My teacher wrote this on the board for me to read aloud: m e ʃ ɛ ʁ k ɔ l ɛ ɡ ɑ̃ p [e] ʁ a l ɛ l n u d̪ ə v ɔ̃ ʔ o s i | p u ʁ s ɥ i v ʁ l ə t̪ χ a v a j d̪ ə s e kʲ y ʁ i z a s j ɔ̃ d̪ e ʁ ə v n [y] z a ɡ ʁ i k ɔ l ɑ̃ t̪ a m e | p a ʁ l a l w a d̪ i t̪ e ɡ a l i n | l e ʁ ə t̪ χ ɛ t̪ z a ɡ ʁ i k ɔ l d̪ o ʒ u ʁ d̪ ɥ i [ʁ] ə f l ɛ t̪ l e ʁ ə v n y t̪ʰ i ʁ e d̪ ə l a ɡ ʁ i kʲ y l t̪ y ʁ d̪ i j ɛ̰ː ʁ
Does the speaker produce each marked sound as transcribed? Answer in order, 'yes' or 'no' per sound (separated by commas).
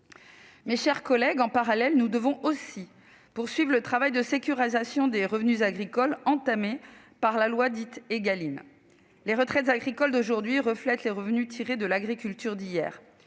no, yes, yes